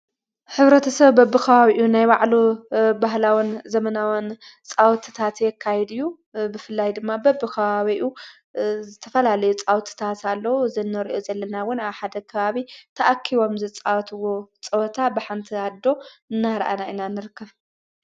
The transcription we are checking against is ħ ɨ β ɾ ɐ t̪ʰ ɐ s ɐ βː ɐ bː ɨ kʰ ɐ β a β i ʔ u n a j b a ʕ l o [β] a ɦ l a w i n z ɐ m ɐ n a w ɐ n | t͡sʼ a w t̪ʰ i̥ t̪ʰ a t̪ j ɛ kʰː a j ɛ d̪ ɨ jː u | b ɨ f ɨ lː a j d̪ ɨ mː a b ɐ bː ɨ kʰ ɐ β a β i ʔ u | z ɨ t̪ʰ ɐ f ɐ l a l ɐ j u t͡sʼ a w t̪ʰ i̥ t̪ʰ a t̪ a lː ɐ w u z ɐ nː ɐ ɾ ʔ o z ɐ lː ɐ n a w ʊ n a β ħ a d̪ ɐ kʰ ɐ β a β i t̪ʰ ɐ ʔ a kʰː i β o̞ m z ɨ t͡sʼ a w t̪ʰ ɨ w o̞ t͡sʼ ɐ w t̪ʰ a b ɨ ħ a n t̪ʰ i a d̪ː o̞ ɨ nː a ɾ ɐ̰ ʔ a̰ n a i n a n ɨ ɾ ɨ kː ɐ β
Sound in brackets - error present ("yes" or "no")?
yes